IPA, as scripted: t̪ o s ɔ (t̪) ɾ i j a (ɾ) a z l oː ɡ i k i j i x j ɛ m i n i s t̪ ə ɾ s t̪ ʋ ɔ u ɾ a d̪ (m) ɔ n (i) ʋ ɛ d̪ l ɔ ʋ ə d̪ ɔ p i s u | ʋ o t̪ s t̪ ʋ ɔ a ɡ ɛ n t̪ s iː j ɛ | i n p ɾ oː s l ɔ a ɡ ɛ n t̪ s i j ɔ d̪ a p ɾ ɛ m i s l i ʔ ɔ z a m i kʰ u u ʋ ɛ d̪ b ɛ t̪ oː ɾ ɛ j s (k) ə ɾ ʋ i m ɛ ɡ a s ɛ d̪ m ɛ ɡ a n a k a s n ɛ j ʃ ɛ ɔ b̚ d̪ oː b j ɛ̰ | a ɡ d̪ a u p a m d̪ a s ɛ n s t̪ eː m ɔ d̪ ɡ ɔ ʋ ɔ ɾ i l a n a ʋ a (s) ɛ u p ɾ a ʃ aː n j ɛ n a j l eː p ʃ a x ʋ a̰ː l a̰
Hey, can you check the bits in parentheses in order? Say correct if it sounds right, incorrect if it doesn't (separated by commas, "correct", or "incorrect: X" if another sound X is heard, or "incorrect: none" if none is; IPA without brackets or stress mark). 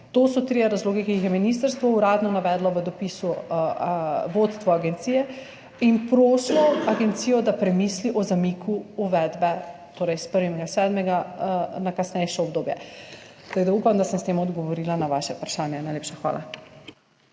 correct, correct, incorrect: n, incorrect: a, incorrect: p, incorrect: ʃ